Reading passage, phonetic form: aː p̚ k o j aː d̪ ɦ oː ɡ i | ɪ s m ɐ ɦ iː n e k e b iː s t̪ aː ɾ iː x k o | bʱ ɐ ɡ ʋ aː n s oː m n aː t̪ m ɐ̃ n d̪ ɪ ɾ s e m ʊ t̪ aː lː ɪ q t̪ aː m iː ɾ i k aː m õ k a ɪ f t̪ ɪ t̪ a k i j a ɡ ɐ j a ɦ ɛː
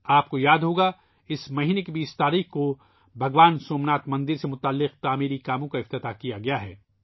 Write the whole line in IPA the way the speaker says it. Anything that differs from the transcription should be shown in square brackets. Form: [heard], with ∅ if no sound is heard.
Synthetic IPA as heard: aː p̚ k o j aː d̪ ɦ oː ɡ [a] | ɪ s m ɐ ɦ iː n e k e b iː s t̪ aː ɾ iː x k o | bʱ ɐ ɡ ʋ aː n s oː m n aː t̪ m ɐ̃ n d̪ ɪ ɾ s e m ʊ t̪ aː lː ɪ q t̪ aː m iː ɾ i k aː m õ k a ɪ f t̪ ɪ t̪ a k i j a ɡ ɐ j a ɦ ɛː